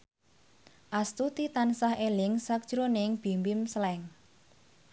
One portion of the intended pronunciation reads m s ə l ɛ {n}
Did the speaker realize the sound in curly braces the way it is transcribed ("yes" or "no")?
no